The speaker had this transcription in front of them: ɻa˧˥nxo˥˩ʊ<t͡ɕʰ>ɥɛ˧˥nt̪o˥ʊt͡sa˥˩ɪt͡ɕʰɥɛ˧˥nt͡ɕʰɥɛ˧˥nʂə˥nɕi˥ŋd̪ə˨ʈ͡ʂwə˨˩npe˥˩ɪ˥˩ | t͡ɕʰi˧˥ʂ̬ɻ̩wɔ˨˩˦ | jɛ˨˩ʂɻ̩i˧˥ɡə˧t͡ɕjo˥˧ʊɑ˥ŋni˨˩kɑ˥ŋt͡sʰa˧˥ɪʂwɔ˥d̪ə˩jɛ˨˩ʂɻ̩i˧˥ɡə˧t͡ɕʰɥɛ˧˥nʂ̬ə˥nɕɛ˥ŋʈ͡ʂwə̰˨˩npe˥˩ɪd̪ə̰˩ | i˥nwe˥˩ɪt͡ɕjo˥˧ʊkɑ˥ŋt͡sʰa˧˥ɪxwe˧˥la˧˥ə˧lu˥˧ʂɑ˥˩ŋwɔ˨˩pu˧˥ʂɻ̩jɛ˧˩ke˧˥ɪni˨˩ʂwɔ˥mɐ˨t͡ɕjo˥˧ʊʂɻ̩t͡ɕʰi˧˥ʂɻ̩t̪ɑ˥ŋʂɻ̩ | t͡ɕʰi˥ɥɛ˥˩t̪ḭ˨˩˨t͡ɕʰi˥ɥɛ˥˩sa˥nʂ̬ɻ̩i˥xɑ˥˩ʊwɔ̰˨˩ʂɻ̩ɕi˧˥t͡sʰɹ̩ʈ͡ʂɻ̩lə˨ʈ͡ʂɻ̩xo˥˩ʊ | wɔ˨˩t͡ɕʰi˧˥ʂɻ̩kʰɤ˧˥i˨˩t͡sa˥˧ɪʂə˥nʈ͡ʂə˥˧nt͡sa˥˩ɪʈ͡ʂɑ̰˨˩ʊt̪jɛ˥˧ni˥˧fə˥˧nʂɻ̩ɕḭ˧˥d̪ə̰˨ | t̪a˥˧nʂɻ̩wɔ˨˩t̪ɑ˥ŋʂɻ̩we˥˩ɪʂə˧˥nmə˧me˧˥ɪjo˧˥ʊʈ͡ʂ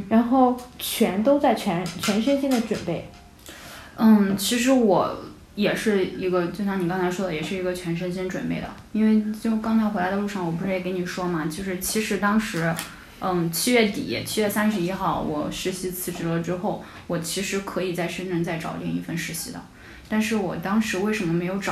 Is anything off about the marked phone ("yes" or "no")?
no